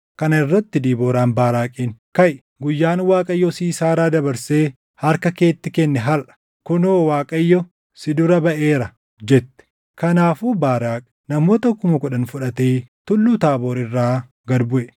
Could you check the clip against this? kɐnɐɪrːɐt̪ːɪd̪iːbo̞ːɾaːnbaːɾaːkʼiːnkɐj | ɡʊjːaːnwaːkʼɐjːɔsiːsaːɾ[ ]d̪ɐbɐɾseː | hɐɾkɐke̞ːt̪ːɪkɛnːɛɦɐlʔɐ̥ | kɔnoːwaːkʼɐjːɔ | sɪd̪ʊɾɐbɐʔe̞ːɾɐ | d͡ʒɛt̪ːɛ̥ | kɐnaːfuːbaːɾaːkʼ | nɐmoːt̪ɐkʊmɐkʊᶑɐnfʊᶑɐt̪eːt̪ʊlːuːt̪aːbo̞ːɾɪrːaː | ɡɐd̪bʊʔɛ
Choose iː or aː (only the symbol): aː